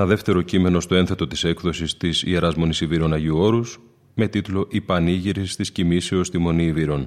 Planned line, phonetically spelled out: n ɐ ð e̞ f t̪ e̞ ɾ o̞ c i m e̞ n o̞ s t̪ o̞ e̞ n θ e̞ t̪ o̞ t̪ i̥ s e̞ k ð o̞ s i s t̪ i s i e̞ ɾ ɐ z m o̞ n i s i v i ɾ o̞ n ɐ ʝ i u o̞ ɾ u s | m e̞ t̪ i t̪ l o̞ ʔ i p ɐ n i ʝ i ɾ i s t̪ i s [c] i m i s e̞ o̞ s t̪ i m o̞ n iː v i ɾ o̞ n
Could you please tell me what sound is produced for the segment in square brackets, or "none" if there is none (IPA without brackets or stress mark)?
c